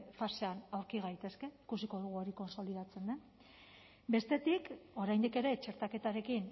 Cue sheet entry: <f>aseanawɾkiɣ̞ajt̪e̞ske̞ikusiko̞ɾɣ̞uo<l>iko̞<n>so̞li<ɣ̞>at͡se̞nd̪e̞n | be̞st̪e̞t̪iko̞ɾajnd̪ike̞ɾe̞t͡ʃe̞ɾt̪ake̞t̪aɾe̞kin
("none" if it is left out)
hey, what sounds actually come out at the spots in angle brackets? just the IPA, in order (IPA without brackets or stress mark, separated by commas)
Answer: f, ɾ, n, ð̞